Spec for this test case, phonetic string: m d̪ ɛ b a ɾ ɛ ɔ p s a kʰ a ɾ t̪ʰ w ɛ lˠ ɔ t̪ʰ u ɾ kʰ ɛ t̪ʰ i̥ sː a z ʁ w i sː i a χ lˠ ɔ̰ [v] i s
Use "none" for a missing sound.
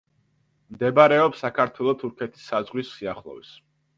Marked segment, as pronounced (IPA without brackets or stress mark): v